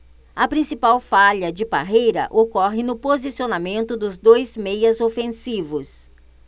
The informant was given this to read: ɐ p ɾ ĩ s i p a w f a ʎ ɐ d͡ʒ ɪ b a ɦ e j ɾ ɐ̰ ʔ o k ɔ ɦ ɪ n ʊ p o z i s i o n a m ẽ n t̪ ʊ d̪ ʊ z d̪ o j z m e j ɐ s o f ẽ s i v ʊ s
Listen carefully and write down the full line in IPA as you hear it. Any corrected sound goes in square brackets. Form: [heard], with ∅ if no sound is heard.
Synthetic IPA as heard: ɐ p ɾ ĩ s i p a w f a ʎ ɐ d͡ʒ ɪ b a ɦ e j ɾ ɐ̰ ʔ o k ɔ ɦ ɪ n ʊ p o z i s i o n a m ẽ n t̪ ʊ d̪ ʊ z d̪ o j z m e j ɐ [z] o f ẽ s i v ʊ s